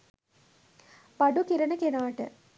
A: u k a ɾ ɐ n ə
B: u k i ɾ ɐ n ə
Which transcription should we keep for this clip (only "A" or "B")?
B